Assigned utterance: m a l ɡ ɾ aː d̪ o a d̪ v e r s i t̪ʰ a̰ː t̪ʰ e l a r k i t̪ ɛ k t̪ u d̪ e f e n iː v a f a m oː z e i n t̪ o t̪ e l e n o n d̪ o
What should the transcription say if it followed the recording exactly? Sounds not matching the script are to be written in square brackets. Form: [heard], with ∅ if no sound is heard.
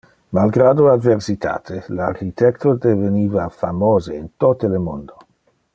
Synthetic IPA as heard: m a l ɡ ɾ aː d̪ o a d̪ v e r s i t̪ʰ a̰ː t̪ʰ e l a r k i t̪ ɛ k t̪ [o] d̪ e [v] e n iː v a f a m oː z e i n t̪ o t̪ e l e [m] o n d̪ o